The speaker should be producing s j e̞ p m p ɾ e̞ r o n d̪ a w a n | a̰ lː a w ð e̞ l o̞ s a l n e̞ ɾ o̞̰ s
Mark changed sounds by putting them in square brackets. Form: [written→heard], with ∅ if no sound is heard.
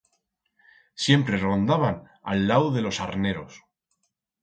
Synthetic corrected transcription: s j e̞ [p→∅] m p ɾ e̞ r o n d̪ a [w→β] a n | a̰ lː a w ð e̞ l o̞ s a [l→ɾ] n e̞ ɾ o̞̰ s